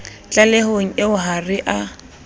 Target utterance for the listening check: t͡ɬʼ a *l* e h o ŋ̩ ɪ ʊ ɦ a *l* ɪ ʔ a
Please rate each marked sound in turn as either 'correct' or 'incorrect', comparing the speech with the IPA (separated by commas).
correct, incorrect